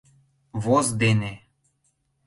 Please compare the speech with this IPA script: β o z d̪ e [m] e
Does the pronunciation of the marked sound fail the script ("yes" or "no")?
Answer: yes